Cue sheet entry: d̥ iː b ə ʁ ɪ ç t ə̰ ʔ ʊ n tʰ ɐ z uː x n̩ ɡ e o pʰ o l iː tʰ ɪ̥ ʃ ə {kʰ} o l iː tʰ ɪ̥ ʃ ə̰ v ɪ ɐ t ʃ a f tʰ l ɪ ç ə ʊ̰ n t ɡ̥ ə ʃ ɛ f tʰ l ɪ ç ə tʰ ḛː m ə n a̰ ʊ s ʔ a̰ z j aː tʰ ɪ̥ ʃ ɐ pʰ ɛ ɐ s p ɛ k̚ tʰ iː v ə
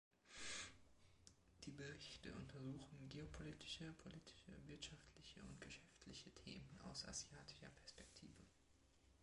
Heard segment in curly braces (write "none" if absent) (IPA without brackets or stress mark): pʰ